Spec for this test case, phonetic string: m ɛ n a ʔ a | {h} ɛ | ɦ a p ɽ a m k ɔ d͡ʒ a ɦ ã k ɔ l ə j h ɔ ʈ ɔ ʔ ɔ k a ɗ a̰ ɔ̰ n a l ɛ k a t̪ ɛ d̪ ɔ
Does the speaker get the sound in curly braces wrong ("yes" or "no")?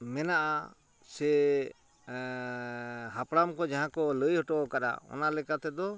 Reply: yes